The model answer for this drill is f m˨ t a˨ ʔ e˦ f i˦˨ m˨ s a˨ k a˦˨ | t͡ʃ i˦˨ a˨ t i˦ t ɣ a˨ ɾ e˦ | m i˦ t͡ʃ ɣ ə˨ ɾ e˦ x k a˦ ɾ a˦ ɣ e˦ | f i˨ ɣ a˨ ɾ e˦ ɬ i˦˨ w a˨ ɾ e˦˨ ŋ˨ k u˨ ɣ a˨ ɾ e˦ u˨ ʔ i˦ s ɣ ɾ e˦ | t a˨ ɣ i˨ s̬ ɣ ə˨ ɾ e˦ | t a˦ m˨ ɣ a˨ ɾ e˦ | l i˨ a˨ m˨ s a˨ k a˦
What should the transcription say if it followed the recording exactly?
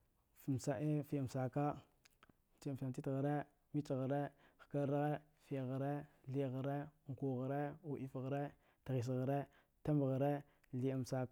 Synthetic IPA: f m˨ s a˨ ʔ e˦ f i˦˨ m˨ s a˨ k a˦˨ | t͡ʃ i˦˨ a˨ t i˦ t ɣ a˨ ɾ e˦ | m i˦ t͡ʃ ɣ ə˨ ɾ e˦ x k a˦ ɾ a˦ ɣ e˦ | f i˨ ɣ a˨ ɾ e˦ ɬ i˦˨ ɣ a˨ ɾ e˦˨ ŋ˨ k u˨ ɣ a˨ ɾ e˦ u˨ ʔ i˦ f ɣ ɾ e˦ | t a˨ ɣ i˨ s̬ ɣ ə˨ ɾ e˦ | t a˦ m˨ ɣ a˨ ɾ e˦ | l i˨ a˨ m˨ s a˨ k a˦